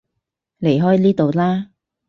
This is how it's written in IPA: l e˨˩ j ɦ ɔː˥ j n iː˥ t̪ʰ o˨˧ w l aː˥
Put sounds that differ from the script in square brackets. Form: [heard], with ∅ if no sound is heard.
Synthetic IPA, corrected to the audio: l e˨˩ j ɦ ɔː˥ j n iː˥ [t̪] o˨˧ w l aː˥